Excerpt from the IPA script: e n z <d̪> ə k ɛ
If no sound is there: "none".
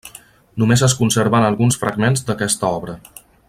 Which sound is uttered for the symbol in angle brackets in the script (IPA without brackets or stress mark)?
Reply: d̪